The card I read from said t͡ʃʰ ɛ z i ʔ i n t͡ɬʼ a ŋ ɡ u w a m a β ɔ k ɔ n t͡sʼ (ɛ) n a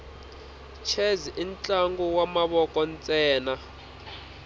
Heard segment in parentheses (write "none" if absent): ɛː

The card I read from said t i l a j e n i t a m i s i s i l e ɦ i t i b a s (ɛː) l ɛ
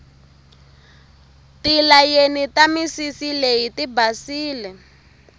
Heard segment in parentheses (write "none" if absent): iː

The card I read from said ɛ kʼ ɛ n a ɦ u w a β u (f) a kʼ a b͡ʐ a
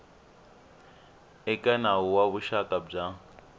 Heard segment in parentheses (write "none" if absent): ʃ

